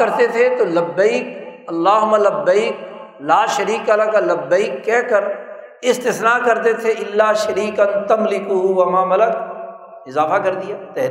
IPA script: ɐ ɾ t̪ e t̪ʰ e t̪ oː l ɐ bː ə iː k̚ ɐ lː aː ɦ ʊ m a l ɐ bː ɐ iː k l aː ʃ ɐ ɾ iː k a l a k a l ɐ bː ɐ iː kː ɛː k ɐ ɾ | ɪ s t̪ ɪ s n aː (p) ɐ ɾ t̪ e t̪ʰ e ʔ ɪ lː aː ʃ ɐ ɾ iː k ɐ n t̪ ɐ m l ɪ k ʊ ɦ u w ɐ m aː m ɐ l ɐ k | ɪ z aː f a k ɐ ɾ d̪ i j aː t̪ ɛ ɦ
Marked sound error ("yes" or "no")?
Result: yes